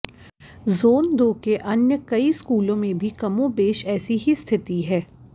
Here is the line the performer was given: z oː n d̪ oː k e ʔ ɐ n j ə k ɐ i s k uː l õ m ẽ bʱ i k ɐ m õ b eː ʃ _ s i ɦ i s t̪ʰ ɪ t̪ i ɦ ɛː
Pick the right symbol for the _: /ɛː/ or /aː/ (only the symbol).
ɛː